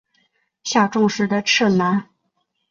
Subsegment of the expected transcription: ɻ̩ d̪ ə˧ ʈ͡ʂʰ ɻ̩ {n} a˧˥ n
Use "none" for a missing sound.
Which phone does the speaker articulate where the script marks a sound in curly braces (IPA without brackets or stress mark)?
n